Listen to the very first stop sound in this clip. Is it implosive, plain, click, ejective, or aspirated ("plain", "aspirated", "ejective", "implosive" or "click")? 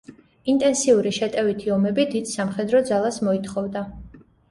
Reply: ejective